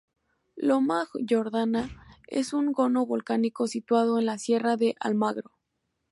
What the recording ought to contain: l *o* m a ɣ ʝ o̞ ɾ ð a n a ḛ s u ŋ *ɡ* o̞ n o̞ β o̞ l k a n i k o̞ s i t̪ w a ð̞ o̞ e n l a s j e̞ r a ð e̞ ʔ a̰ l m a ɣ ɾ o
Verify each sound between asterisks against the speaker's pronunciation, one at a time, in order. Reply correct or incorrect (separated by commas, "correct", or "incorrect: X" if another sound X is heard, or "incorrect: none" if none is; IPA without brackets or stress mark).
correct, correct